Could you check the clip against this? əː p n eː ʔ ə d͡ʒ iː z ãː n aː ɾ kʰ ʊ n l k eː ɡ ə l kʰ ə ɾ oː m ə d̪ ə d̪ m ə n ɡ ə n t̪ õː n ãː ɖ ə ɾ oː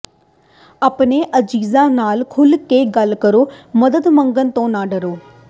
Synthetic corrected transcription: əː p n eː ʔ ə d͡ʒ iː z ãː n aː l kʰ ʊ l k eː ɡ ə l k ə ɾ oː m ə d̪ ə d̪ m ə ŋ ɡ ə n t̪ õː n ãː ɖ ə ɾ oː

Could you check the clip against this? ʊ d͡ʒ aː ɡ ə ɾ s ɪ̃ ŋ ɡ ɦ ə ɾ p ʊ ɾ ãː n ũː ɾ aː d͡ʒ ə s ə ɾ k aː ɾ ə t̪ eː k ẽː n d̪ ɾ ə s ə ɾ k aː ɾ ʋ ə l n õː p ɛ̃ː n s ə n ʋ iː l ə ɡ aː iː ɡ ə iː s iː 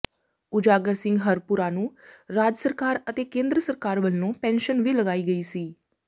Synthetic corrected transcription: ʊ d͡ʒ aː ɡ ə ɾ s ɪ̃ ŋ ɡ ɦ ə ɾ p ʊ ɾ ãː n ũː ɾ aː d͡ʒ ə s ə ɾ k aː ɾ ə t̪ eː k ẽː n d̪ ɾ ə s ə ɾ k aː ɾ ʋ ə l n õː p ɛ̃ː n ʃ ə n ʋ iː l ə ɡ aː iː ɡ ə iː s iː

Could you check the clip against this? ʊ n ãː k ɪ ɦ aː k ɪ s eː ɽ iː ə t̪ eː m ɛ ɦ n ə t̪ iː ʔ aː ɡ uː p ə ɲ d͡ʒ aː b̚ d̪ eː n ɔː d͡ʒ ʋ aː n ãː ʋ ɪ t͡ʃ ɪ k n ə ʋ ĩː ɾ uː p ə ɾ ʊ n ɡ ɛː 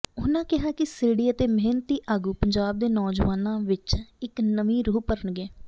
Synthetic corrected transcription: ʊ n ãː k ɪ ɦ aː k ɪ s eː ɽ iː ə t̪ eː m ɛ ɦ n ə t̪ iː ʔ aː ɡ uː p ə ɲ d͡ʒ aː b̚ d̪ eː n ɔː d͡ʒ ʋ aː n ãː ʋ ɪ t͡ʃ ɪ k n ə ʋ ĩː ɾ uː p ə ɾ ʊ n ɡ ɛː

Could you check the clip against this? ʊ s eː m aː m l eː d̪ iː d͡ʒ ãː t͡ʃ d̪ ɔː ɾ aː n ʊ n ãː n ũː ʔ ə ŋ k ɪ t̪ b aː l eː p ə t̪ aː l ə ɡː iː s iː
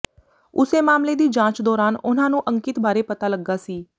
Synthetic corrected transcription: ʊ s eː m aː m l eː d̪ iː d͡ʒ ãː t͡ʃ d̪ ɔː ɾ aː n ʊ n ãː n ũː ʔ ə ŋ k ɪ t̪ b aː ɾ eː p ə t̪ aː l ə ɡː aː s iː

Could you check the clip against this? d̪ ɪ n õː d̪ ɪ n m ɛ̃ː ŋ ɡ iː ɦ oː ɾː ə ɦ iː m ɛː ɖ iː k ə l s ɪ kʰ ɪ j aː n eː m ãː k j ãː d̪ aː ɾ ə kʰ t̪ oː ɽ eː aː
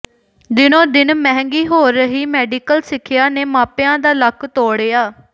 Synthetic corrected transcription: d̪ ɪ n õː d̪ ɪ n m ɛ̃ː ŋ ɡ iː ɦ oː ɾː ə ɦ iː m ɛː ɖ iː k ə l s ɪ kʰ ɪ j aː n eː m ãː p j ãː d̪ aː l ə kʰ t̪ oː ɽ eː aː

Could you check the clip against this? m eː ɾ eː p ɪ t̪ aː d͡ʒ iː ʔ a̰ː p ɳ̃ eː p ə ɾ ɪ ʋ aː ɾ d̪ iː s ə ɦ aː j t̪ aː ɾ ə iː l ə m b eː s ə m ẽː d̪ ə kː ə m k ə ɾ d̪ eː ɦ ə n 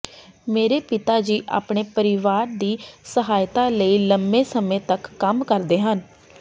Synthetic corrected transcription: m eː ɾ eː p ɪ t̪ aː d͡ʒ iː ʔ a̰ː p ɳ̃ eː p ə ɾ ɪ ʋ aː ɾ d̪ iː s ə ɦ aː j t̪ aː l ə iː l ə m b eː s ə m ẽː t̪ ə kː ə m k ə ɾ d̪ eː ɦ ə n

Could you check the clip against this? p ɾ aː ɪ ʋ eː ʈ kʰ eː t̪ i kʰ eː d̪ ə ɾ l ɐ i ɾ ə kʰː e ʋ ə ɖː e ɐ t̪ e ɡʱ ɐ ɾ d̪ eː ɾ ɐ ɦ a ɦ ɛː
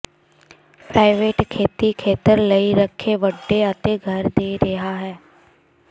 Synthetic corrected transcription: p ɾ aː ɪ ʋ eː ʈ kʰ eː t̪ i kʰ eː t̪ ə ɾ l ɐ i ɾ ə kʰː e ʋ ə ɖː e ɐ t̪ e ɡʱ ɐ ɾ d̪ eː ɾ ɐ ɦ a ɦ ɛː

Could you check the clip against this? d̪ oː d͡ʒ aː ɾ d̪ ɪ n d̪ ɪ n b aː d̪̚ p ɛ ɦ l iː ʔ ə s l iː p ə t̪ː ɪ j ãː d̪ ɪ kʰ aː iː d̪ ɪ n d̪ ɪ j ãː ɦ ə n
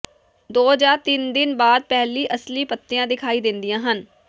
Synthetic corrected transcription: d̪ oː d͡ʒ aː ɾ t̪ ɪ n d̪ ɪ n b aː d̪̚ p ɛ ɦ l iː ʔ ə s l iː p ə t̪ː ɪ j ãː d̪ ɪ kʰ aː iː d̪ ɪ n d̪ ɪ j ãː ɦ ə n

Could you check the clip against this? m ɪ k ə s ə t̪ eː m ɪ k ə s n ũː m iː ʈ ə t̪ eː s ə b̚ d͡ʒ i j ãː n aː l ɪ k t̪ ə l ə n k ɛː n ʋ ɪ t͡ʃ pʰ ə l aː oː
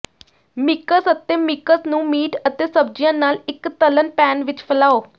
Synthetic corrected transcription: m ɪ k ə s ə t̪ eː m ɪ k ə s n ũː m iː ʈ ə t̪ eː s ə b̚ d͡ʒ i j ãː n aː l ɪ k t̪ ə l ə n p ɛː n ʋ ɪ t͡ʃ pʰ ə l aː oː

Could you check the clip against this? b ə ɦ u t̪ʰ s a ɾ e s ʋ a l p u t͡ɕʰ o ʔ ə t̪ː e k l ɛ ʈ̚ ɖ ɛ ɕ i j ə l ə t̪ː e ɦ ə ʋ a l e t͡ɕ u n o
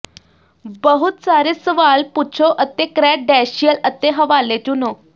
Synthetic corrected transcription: b ə ɦ u t̪ s a ɾ e s ʋ a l p u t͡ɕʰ o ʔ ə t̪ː e k ɾ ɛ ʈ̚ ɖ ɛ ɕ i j ə l ə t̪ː e ɦ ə ʋ a l e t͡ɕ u n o

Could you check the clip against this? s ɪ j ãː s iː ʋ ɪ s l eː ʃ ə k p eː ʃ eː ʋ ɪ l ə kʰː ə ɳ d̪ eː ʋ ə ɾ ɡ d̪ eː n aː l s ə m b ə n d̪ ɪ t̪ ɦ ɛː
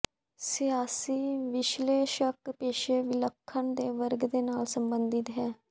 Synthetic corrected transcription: s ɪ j aː s iː ʋ ɪ ʃ l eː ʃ ə k p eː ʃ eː ʋ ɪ l ə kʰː ə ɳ d̪ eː ʋ ə ɾ ɡ d̪ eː n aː l s ə m b ə n d̪ ɪ t̪ ɦ ɛː

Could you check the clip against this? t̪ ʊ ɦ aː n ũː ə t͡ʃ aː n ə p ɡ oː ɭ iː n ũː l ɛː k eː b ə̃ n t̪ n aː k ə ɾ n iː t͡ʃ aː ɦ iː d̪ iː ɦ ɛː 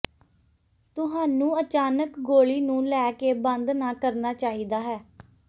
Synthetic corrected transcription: t̪ ʊ ɦ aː n ũː ə t͡ʃ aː n ə k ɡ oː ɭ iː n ũː l ɛː k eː b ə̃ n d̪ n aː k ə ɾ n aː t͡ʃ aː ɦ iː d̪ aː ɦ ɛː

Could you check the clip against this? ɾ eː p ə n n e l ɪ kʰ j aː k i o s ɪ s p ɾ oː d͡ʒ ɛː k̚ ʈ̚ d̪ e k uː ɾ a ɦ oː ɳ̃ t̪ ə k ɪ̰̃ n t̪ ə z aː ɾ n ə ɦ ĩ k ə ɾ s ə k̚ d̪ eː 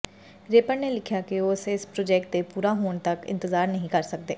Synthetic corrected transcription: ɾ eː p ə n n e l ɪ kʰ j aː k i o s ɪ s p ɾ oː d͡ʒ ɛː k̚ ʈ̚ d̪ e p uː ɾ a ɦ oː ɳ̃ t̪ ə k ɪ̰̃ n t̪ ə z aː ɾ n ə ɦ ĩ k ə ɾ s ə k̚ d̪ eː

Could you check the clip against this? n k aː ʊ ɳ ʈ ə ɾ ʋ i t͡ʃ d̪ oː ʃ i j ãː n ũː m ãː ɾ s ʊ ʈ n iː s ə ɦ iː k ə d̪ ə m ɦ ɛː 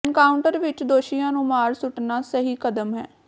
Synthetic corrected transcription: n k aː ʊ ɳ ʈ ə ɾ ʋ ɪ t͡ʃ d̪ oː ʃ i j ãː n ũː m aː ɾ s ʊ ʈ n aː s ə ɦ iː k ə d̪ ə m ɦ ɛː

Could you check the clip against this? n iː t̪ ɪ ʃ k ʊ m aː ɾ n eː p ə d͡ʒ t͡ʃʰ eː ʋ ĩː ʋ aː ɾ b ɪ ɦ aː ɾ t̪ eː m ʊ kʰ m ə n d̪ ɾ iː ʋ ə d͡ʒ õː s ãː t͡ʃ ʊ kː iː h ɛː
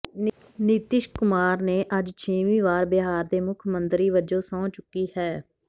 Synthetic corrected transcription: n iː t̪ ɪ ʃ k ʊ m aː ɾ n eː ʔ ə d͡ʒ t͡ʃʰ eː ʋ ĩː ʋ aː ɾ b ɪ ɦ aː ɾ d̪ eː m ʊ kʰ m ə n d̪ ɾ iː ʋ ə d͡ʒ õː s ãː t͡ʃ ʊ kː iː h ɛː

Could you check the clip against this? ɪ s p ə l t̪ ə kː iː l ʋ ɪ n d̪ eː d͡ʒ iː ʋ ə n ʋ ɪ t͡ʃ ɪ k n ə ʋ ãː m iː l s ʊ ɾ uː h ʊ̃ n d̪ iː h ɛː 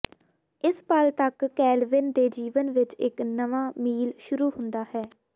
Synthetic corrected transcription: ɪ s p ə l t̪ ə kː ɛː l ʋ ɪ n d̪ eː d͡ʒ iː ʋ ə n ʋ ɪ t͡ʃ ɪ k n ə ʋ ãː m iː l ʃ ʊ ɾ uː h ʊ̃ n d̪ aː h ɛː

